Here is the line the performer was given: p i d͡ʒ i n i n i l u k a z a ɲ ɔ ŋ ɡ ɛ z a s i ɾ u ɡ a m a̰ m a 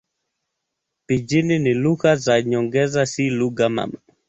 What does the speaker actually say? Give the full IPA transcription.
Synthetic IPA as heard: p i d͡ʒ i n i n i l u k a z a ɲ ɔ ŋ ɡ ɛ z a s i l u ɡ a m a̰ m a